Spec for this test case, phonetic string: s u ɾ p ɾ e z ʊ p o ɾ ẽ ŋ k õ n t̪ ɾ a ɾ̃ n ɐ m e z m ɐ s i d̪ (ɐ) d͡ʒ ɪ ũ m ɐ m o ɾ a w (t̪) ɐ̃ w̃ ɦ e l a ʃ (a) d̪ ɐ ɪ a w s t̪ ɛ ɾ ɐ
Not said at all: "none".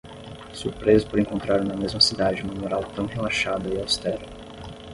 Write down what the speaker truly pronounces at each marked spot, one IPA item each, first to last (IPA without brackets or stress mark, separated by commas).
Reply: a, t̪, a